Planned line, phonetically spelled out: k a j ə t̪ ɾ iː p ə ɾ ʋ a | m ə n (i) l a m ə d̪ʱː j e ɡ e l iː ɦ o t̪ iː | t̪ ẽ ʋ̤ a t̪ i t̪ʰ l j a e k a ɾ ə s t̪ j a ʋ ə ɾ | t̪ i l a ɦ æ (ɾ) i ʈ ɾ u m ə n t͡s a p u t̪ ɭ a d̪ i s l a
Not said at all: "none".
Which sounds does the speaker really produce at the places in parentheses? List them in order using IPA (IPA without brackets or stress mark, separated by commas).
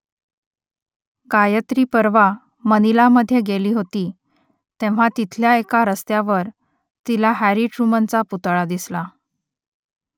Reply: i, ɾ